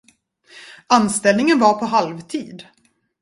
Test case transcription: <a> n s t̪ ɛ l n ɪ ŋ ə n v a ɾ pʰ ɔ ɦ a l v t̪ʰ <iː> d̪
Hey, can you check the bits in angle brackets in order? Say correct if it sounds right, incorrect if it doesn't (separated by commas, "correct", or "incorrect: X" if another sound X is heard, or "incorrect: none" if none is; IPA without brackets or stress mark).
correct, correct